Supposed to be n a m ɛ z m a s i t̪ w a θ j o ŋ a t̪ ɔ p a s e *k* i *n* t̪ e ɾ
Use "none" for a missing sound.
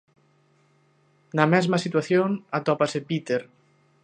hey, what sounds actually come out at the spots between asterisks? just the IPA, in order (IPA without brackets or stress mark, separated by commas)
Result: p, none